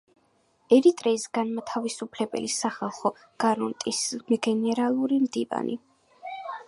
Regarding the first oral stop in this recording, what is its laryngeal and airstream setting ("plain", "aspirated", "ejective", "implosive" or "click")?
ejective